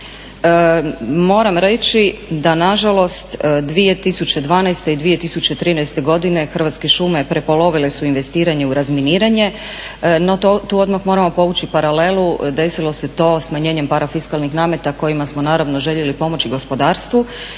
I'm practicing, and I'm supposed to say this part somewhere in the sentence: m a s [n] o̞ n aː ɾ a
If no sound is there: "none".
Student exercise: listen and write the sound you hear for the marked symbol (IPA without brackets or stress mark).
m